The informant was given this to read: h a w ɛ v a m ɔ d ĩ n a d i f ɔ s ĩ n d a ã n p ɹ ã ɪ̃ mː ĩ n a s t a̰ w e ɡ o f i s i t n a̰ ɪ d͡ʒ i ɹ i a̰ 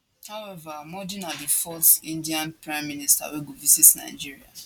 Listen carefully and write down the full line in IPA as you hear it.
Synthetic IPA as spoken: h a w ɛ v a m ɔ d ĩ n a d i f ɔ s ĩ n d i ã n p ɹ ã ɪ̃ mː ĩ n i s t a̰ w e ɡ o v i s i t n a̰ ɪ d͡ʒ i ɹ i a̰

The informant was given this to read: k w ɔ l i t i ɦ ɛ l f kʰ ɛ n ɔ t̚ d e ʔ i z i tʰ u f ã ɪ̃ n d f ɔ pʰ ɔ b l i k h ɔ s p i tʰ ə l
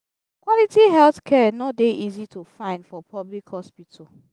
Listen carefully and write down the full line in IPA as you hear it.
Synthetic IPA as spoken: k w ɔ l i t i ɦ ɛ l θ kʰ ɛ n ɔ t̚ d e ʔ i z i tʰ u f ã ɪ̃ n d f ɔ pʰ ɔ b l i k h ɔ s p i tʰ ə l

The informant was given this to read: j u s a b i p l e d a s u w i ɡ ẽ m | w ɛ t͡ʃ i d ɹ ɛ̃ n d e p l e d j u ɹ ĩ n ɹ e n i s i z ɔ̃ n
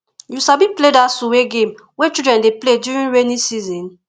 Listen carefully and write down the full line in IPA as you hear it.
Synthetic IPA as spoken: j u s a b i p l e d a s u w e ɡ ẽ m | w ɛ t͡ʃ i d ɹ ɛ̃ n d e p l e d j u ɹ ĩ n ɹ e n i s i z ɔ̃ n

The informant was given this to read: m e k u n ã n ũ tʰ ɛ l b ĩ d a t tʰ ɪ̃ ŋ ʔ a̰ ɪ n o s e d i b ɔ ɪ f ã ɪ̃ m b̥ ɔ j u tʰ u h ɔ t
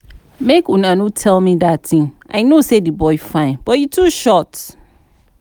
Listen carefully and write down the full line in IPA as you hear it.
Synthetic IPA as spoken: m e k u n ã n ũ tʰ ɛ l m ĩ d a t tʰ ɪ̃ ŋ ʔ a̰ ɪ n o s e d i b ɔ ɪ f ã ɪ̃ n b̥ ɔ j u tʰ u ʃ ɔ t

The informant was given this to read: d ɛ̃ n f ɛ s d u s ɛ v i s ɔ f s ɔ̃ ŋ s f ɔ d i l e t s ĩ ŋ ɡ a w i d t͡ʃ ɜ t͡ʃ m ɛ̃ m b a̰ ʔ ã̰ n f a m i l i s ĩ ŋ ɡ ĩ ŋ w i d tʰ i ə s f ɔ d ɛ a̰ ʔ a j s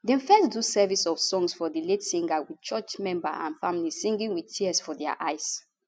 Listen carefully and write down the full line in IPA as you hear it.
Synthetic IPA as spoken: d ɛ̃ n f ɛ s d u s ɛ v i s ɔ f s ɔ̃ ŋ s f ɔ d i l e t s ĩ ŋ ɡ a w i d t͡ʃ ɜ t͡ʃ m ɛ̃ m b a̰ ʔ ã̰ n f a m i l i s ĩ ŋ ɡ ĩ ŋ w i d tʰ i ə s f ɔ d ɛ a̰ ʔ a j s

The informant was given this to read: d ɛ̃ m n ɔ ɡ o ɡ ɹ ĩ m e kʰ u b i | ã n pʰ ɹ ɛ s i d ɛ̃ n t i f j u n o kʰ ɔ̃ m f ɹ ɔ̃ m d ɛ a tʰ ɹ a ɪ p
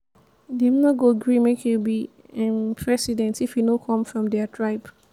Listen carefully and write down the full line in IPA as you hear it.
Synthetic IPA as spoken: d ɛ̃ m n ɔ ɡ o ɡ ɹ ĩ m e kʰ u b i | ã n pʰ ɹ ɛ s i d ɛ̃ n t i f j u n o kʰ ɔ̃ m f ɹ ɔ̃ m d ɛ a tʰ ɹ a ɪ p

